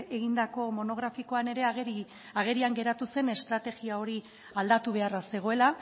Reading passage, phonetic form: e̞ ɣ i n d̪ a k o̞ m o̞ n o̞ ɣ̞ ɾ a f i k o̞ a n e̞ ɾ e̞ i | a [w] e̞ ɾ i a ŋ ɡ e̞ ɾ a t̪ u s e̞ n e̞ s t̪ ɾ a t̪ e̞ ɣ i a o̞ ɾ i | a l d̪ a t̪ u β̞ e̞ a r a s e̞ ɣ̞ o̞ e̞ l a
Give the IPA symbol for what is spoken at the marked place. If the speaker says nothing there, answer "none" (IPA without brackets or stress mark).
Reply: ɣ